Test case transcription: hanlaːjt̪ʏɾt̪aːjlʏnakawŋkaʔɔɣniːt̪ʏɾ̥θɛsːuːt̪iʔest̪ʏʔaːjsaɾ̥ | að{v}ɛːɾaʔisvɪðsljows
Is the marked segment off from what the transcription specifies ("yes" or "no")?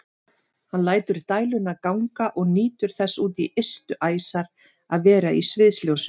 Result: no